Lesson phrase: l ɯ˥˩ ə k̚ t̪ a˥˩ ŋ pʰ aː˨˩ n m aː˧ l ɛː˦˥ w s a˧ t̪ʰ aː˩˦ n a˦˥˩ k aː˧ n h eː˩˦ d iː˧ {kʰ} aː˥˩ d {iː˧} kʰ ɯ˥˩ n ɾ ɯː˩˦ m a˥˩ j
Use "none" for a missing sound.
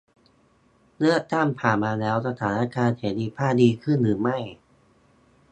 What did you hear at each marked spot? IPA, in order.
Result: pʰ, iː˧

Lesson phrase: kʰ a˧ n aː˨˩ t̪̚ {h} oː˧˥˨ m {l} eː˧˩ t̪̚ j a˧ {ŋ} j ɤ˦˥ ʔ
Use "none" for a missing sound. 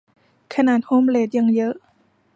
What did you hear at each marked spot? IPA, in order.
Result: h, l, ŋ

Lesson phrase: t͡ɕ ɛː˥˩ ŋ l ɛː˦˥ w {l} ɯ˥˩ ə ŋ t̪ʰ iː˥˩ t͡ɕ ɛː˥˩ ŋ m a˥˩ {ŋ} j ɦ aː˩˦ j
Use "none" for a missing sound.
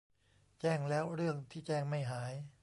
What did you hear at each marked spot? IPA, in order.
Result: ɾ, none

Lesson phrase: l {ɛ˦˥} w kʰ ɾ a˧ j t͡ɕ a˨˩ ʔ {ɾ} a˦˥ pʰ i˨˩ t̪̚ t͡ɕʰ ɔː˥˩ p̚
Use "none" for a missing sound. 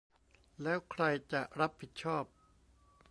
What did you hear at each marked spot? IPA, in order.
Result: ɛː˦˥, ɾ

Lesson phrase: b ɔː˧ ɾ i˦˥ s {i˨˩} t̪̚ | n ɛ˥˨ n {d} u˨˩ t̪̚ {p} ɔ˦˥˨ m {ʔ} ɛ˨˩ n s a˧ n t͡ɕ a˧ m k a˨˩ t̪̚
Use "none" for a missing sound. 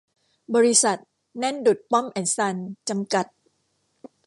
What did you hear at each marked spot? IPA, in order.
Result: a˨˩, d, p, ʔ

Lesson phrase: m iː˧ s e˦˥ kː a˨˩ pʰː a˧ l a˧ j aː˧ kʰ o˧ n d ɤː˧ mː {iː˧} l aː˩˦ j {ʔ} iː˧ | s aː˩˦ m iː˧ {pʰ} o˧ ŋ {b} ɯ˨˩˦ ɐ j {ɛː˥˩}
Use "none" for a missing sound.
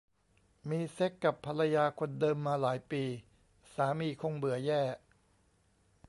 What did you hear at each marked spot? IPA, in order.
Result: aː˧, p, kʰ, b, ɛː˥˩

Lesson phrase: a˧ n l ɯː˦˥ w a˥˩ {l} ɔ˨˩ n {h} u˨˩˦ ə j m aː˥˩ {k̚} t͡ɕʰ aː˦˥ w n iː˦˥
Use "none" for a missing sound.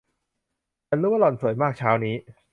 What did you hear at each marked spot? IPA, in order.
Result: l, s, k̚

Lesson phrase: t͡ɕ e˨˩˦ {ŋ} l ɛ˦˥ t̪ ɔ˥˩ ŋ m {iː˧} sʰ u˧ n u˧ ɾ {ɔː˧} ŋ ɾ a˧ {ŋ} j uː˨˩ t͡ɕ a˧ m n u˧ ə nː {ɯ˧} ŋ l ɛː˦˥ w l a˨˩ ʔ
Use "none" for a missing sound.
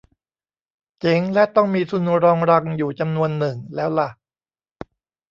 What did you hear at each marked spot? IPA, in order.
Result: ŋ, iː˧, ɔː˧, ŋ, ɯ˨˩

